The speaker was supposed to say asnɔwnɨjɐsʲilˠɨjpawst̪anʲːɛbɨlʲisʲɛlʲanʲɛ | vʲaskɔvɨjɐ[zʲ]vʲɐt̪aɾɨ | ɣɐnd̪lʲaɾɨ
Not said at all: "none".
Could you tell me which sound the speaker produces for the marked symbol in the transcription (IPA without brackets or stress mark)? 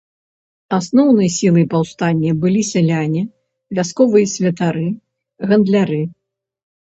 sʲ